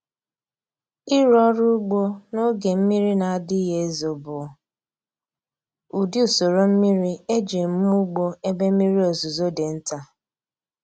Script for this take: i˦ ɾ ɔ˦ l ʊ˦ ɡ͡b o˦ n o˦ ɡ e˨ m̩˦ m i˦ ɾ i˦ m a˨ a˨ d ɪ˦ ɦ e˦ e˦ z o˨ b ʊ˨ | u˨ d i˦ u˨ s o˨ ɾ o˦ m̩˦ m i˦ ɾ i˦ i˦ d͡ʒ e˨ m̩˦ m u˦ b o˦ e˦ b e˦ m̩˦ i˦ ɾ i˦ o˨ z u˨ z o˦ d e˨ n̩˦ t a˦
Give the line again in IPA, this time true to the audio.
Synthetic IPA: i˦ ɾ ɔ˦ ɾ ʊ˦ ɡ͡b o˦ n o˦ ɡ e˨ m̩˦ m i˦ ɾ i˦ n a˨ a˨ d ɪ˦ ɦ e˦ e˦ z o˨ b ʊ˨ | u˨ d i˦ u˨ s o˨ ɾ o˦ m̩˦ m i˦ ɾ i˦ e˦ d͡ʒ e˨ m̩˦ m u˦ ɡ͡b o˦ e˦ b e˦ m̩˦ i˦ ɾ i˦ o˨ z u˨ z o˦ d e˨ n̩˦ t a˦